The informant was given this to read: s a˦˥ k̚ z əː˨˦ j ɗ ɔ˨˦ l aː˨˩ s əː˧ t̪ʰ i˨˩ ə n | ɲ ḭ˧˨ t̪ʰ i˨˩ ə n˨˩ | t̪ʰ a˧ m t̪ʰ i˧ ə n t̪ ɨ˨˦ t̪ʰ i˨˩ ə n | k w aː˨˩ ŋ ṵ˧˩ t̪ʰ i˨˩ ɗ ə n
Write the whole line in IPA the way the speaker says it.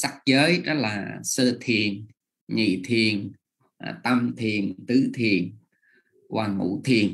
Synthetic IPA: s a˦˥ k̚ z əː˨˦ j ɗ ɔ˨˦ l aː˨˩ s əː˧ t̪ʰ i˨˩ ə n | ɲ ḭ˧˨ t̪ʰ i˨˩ ə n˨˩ | t̪ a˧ m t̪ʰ i˨˩ ə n t̪ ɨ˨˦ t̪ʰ i˨˩ ə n | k w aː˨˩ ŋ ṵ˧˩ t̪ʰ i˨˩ ə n